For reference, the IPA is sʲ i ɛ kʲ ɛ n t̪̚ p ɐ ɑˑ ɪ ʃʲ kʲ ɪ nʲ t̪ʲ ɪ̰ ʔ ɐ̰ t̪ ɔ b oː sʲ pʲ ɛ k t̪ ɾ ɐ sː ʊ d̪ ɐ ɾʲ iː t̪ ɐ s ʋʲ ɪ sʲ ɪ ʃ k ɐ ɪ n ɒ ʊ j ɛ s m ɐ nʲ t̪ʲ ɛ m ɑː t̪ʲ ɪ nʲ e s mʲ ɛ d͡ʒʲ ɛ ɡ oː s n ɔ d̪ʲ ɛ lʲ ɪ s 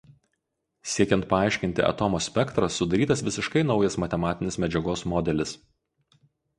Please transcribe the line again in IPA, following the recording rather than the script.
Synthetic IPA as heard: sʲ i ɛ kʲ ɛ n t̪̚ p ɐ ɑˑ ɪ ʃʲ kʲ ɪ nʲ t̪ʲ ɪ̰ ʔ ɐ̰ t̪ ɔ m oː sʲ pʲ ɛ k t̪ ɾ ɐ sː ʊ d̪ ɐ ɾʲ iː t̪ ɐ s ʋʲ ɪ sʲ ɪ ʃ k ɐ ɪ n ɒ ʊ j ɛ s m ɐ t̪ʲ ɛ m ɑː t̪ʲ ɪ nʲ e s mʲ ɛ d͡ʒʲ ɛ ɡ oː s m ɔ d̪ʲ ɛ lʲ ɪ s

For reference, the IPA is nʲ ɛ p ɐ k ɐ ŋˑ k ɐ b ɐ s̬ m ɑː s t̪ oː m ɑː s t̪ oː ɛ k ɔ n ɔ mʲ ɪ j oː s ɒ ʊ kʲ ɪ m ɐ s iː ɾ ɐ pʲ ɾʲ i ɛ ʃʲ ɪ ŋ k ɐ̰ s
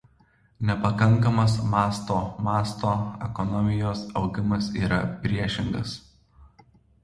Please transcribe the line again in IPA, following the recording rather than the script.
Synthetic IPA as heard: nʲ ɛ p ɐ k ɐ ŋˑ k ɐ m ɐ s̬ m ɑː s t̪ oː m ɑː s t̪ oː ɛ k ɔ n ɔ mʲ ɪ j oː s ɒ ʊ ɡʲ ɪ m ɐ s iː ɾ ɐ pʲ ɾʲ i ɛ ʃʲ ɪ ŋ ɡ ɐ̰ s

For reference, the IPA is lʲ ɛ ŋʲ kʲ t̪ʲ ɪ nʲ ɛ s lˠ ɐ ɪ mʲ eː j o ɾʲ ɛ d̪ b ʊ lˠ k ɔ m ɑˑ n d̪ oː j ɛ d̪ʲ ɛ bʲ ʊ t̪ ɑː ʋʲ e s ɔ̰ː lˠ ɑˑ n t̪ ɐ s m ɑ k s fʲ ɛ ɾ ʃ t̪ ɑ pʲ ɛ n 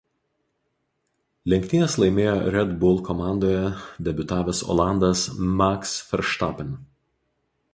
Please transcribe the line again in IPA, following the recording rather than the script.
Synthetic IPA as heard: lʲ ɛ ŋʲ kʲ t̪ʲ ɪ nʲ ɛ s lˠ ɐ ɪ mʲ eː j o ɾʲ ɛ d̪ b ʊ lˠ k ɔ m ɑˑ n d̪ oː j ɛ d̪ʲ ɛ bʲ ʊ t̪ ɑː ʋʲ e s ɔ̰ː lˠ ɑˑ n d̪ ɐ s m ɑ k s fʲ ɛ ɾ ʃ t̪ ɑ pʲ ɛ n

